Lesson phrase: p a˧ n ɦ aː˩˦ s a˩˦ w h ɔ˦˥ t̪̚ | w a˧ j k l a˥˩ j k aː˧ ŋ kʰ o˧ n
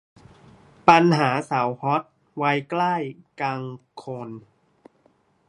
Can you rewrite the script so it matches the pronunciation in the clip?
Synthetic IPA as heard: p a˧ n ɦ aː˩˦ s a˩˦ w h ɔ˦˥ t̪̚ | w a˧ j k l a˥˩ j k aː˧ ŋ kʰ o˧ n